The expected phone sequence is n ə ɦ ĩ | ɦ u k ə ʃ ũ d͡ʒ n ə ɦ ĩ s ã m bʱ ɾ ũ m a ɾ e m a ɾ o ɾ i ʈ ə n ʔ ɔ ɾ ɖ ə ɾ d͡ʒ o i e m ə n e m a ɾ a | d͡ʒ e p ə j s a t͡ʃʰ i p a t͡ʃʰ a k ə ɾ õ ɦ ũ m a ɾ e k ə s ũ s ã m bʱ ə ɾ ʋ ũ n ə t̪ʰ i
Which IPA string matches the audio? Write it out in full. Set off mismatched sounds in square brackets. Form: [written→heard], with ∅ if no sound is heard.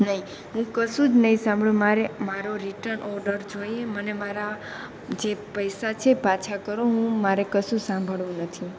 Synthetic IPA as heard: n ə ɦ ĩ | ɦ [u→ũ] k ə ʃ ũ d͡ʒ n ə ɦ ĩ s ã m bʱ [ɾ→ɭ] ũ m a ɾ e m a ɾ o ɾ i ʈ ə n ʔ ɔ ɾ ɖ ə ɾ d͡ʒ o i e m ə n e m a ɾ a | d͡ʒ e p ə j s a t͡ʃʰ [i→e] p a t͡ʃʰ a k ə ɾ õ ɦ ũ m a ɾ e k ə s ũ s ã m bʱ ə [ɾ→ɭ] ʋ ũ n ə t̪ʰ i